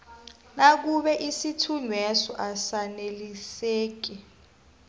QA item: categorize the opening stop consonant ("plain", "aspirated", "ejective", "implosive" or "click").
plain